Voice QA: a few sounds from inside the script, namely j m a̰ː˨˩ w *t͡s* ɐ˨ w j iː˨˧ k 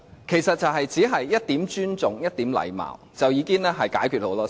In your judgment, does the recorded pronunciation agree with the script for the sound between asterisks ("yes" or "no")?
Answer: yes